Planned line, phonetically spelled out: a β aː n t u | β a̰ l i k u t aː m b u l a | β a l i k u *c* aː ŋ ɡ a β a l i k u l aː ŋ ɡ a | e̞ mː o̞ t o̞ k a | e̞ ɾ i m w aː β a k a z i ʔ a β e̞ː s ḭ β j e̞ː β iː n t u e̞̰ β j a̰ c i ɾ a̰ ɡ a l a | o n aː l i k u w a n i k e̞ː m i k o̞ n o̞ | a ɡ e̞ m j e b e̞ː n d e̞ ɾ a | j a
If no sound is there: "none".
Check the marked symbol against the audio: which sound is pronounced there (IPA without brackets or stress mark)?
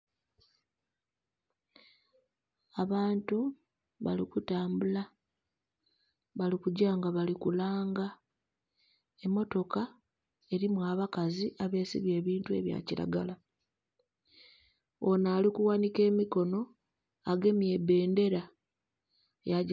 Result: ɟ